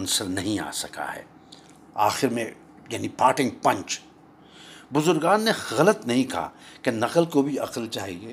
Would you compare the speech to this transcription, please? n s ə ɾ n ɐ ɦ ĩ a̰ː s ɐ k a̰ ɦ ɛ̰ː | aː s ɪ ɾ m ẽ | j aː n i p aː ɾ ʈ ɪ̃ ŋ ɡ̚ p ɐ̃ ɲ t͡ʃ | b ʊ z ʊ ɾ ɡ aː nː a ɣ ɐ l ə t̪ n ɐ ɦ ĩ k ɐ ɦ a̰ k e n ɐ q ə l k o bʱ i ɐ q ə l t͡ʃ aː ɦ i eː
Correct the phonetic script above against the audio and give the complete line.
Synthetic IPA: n s ə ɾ n ɐ ɦ ĩ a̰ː s ɐ k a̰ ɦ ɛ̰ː | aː x ɪ ɾ m ẽ | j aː n i p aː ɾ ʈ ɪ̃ ŋ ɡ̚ p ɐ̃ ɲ t͡ʃ | b ʊ z ʊ ɾ ɡ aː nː e ɣ ɐ l ə t̪ n ɐ ɦ ĩ k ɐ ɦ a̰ k e n ɐ q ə l k o bʱ i ɐ q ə l t͡ʃ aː ɦ i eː